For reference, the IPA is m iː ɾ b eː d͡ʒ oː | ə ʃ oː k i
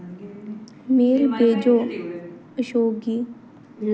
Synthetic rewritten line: m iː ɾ b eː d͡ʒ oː | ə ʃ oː ɡ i